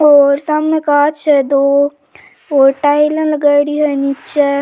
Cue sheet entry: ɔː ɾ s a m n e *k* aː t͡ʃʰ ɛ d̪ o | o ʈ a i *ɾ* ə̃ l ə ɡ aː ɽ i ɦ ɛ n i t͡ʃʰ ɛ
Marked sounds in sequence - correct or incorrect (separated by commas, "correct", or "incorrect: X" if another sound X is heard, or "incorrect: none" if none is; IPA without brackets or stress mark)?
correct, incorrect: l